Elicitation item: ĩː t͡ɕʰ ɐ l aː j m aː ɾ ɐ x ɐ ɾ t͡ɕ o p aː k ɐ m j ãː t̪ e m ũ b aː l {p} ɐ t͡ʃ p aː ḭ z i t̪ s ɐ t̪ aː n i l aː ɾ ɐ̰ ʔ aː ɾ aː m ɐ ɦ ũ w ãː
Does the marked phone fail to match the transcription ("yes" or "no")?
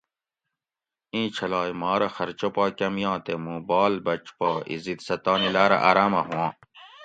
yes